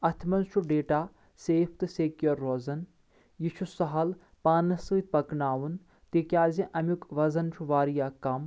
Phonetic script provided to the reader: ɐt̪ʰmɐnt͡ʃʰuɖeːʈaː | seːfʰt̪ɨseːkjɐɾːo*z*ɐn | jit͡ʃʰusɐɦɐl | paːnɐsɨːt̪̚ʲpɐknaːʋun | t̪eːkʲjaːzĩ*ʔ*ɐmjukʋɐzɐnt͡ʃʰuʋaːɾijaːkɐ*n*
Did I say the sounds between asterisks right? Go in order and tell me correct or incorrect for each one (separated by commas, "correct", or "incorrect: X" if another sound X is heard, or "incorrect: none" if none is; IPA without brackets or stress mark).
correct, correct, incorrect: m